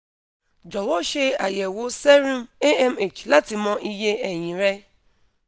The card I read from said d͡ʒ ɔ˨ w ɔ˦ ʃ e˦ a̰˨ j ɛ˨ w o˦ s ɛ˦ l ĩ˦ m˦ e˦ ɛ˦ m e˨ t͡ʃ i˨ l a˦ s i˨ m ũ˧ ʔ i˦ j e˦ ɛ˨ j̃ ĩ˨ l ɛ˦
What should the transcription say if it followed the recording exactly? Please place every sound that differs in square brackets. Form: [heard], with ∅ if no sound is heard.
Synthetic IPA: d͡ʒ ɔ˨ w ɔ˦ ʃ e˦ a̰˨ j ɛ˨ w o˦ s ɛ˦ [ɾ] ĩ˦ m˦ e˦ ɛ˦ m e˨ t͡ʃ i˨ l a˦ [t] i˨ m [ɔ̃˧] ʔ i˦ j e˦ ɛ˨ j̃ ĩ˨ [ɾ] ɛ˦